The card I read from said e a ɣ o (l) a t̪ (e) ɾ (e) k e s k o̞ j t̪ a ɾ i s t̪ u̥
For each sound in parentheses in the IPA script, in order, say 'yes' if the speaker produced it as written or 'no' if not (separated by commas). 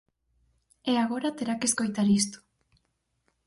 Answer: no, yes, no